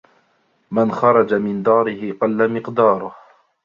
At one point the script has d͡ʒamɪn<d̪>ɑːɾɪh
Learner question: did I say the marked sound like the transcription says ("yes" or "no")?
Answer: yes